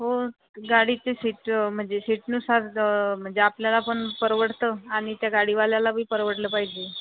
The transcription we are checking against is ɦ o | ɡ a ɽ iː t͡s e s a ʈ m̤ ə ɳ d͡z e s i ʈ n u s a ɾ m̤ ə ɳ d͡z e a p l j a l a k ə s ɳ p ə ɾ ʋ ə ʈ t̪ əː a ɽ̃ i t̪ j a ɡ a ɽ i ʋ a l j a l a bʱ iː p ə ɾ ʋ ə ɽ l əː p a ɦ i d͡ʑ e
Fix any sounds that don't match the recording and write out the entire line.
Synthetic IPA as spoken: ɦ o | ɡ a ɽ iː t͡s e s i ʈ m̤ ə ɳ d͡z e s i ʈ n u s a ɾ m̤ ə ɳ d͡z e a p l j a l a p ə ɳ p ə ɾ ʋ ə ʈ t̪ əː a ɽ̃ i t̪ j a ɡ a ɽ i ʋ a l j a l a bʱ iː p ə ɾ ʋ ə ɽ l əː p a ɦ i d͡ʑ e